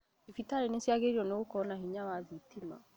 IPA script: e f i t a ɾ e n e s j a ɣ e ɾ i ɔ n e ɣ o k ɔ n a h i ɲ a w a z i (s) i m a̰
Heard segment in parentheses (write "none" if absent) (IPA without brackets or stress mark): t